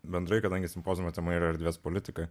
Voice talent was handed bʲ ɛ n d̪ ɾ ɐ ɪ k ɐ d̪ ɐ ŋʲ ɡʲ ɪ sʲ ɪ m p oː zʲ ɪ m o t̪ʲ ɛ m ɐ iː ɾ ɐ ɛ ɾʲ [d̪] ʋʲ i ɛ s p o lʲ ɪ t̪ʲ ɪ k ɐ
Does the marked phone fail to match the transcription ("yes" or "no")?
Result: no